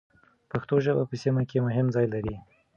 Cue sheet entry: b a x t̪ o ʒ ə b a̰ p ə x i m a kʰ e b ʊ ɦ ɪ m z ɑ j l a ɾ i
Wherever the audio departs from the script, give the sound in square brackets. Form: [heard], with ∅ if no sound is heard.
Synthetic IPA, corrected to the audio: [p] a x t̪ o ʒ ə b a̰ p ə [s] i m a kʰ e [m] ʊ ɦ ɪ m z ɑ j l a ɾ i